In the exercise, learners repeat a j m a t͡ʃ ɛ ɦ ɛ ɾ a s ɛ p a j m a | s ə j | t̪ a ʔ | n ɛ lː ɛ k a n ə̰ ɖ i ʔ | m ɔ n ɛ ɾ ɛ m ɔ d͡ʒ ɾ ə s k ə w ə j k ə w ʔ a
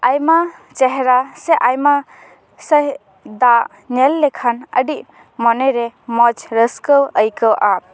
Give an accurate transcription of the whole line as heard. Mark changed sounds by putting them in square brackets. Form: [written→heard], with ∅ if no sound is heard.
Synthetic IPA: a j m a t͡ʃ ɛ ɦ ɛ ɾ a s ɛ [p→ʔ] a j m a | s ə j | [t̪→d̪] a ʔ | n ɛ lː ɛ [k→kʰ] a n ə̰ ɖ i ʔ | m ɔ n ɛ ɾ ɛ m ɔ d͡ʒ ɾ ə s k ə w ə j k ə w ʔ a